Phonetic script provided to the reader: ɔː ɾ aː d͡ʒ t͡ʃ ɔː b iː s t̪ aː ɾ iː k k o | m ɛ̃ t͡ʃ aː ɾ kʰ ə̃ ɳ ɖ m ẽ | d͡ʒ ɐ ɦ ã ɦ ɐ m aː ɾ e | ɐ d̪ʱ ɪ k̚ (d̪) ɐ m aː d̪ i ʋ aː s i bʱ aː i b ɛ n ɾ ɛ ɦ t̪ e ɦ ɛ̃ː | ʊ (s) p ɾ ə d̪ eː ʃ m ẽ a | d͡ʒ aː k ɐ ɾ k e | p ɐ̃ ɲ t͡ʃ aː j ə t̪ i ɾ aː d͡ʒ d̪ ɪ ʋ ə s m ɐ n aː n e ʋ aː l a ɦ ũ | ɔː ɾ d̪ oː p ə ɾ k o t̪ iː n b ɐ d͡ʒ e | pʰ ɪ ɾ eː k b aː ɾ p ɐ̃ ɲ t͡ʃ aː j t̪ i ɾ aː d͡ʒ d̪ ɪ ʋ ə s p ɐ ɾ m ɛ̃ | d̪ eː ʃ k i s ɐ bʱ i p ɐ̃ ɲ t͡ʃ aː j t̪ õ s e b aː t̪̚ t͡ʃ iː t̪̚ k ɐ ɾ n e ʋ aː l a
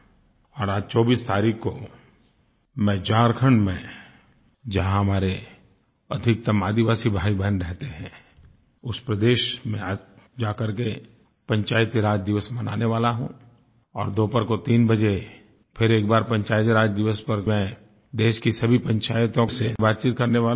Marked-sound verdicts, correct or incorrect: incorrect: t̪, correct

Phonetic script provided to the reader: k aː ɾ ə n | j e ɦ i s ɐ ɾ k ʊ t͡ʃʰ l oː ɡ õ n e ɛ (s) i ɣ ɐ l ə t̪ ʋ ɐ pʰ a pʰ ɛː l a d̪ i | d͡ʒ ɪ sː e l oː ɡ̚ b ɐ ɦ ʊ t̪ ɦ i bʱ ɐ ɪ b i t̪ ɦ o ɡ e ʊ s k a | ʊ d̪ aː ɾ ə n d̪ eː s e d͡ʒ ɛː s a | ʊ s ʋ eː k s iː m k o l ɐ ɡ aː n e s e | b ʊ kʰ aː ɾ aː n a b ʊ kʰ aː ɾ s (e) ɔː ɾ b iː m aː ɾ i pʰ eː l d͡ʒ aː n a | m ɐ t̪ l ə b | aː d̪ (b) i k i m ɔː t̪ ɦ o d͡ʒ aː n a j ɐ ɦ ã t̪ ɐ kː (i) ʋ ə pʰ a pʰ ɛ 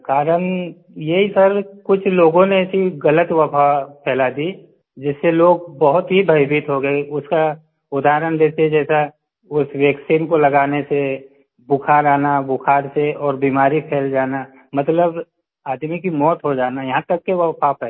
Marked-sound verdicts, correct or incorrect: correct, correct, incorrect: m, incorrect: e

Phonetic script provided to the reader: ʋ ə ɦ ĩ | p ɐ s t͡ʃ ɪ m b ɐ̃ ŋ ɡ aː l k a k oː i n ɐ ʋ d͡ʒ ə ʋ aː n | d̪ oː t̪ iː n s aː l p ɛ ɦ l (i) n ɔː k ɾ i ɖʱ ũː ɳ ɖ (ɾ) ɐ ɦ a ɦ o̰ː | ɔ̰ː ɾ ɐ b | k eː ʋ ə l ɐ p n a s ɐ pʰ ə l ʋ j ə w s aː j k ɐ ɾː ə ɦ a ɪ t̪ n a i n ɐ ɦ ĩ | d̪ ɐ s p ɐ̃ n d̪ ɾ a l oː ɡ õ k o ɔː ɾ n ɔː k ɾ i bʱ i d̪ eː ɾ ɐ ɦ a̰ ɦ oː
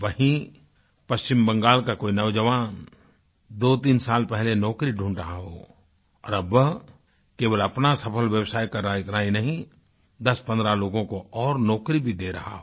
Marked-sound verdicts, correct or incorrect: incorrect: e, correct

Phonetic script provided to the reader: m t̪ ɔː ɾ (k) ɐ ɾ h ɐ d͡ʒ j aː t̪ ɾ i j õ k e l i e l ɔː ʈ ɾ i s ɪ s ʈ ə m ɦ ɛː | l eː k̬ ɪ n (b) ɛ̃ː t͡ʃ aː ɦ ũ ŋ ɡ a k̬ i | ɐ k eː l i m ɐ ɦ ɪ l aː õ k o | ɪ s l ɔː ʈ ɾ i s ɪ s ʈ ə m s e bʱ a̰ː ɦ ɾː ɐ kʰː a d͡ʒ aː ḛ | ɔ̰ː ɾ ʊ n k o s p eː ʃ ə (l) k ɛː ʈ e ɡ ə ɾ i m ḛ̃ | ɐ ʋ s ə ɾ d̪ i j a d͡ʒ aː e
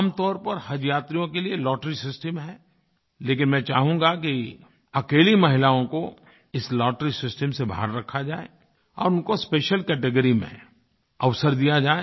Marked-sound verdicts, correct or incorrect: incorrect: p, incorrect: m, correct

